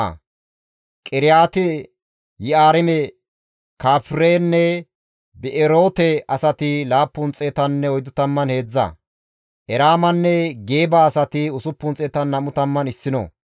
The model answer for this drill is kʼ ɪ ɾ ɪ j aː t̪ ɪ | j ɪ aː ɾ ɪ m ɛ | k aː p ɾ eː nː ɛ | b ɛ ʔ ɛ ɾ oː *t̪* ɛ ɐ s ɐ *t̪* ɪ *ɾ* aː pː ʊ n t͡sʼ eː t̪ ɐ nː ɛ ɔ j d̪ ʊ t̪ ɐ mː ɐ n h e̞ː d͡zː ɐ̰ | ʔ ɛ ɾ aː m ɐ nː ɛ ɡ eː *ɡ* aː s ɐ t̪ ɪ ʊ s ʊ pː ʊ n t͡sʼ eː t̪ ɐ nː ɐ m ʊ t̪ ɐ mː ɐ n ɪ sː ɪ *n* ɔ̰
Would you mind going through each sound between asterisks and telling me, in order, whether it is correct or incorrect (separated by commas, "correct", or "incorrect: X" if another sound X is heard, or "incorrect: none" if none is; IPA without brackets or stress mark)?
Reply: correct, correct, incorrect: l, incorrect: b, correct